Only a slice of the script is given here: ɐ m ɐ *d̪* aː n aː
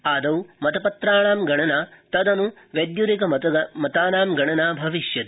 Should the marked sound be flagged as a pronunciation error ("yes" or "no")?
yes